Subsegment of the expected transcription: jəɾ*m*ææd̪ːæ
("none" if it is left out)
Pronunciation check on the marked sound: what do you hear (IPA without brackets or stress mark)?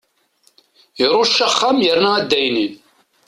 n